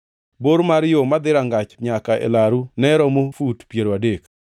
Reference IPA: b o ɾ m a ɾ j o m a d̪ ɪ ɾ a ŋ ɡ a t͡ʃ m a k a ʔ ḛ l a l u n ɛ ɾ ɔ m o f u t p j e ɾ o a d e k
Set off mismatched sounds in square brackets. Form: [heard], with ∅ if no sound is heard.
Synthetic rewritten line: b o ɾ m a ɾ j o m a d̪ ɪ ɾ a ŋ ɡ a t͡ʃ [ɲ] a k a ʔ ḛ l a [ɾ] u n ɛ ɾ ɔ m o f u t p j e ɾ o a d e k

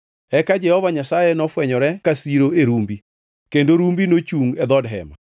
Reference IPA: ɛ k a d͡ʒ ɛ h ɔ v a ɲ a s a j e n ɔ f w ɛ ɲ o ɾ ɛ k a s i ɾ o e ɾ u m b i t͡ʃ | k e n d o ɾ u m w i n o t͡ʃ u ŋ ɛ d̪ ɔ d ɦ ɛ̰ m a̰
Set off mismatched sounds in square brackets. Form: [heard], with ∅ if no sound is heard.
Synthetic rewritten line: ɛ k a d͡ʒ ɛ h ɔ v a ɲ a s a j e n ɔ f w ɛ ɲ [ɔ] ɾ ɛ k a s i ɾ o e ɾ u m b i [∅] | k e n d o ɾ u m [b] i n o t͡ʃ u ŋ ɛ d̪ ɔ d ɦ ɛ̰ m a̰

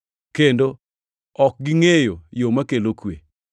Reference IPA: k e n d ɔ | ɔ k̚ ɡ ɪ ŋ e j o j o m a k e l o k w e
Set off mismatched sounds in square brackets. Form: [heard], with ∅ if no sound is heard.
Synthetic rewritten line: k e n d [o] | ɔ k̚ ɡ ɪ ŋ e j o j o m a k e l o k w e

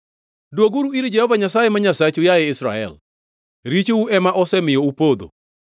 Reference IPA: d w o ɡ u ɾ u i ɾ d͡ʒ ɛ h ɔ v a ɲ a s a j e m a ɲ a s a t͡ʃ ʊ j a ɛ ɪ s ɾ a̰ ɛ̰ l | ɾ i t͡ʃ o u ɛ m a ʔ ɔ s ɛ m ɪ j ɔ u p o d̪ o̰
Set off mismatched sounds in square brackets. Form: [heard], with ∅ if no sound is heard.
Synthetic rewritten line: d w o ɡ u ɾ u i ɾ d͡ʒ ɛ h ɔ v a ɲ a s a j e m a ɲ a s a t͡ʃ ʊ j a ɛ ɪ s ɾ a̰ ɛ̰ l | ɾ i t͡ʃ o u ɛ m a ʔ ɔ s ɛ m ɪ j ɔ u p o d̪ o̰

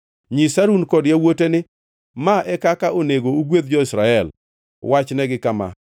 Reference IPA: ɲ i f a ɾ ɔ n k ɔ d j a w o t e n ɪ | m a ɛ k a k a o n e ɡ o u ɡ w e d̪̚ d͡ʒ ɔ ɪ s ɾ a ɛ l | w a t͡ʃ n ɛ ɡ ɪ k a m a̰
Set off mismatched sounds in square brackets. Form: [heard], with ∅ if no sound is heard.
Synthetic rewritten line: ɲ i [s] a ɾ [u] n k ɔ d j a w o t e n ɪ | m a ɛ k a k a o n e ɡ o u ɡ w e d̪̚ d͡ʒ ɔ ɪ s ɾ a ɛ l | w a t͡ʃ n ɛ ɡ ɪ k a m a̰

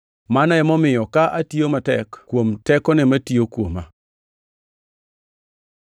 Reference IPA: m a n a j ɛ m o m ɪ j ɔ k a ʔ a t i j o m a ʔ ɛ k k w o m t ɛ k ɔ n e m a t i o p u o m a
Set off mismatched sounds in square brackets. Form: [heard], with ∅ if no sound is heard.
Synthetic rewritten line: m a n a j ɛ m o m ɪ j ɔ k a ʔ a t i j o m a [t] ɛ k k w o m t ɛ k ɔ n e m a t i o [k] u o m a

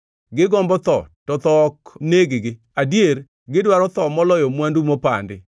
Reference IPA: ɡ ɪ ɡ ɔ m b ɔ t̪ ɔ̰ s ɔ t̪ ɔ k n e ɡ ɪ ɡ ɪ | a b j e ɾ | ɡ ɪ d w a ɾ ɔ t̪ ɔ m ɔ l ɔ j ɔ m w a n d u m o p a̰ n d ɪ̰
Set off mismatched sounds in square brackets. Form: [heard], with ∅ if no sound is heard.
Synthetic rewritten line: ɡ ɪ ɡ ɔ m b ɔ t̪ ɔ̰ [t] ɔ t̪ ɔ k n e ɡ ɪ ɡ ɪ | a [d] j e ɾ | ɡ ɪ d w a ɾ ɔ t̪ ɔ m ɔ l ɔ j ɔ m w a n d u m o p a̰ n d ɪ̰

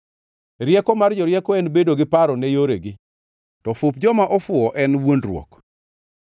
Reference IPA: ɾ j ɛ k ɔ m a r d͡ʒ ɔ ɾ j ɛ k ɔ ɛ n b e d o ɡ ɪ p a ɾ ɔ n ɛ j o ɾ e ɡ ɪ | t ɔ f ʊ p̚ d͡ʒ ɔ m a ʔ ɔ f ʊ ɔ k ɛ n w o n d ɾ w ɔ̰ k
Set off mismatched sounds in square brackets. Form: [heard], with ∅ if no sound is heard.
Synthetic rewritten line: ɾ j ɛ k ɔ m a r d͡ʒ ɔ ɾ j ɛ k ɔ ɛ n b e d o ɡ ɪ p a ɾ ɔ n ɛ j o ɾ e ɡ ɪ | t ɔ f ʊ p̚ d͡ʒ ɔ m a ʔ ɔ f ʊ ɔ [ʔ] ɛ n w o n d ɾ w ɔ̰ k

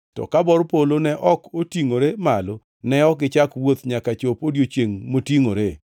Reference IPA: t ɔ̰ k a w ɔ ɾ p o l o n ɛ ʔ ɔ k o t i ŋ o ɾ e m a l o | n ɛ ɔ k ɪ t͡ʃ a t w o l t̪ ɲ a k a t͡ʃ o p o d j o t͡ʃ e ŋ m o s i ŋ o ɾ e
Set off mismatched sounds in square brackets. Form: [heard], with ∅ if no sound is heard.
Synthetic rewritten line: t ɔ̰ k a [b] ɔ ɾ p o l o n ɛ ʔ ɔ k o t i ŋ o ɾ e m a l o | n ɛ ɔ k ɪ t͡ʃ a [k] w o [∅] t̪ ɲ a k a t͡ʃ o p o d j o t͡ʃ e ŋ m o [t] i ŋ o ɾ e

